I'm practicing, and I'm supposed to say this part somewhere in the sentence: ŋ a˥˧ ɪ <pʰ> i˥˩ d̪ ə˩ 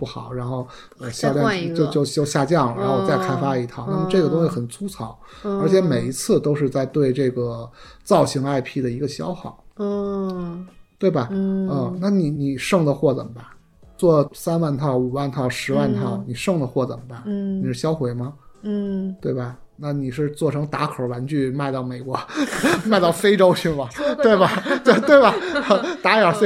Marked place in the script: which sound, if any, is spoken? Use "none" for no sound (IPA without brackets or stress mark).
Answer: pʰ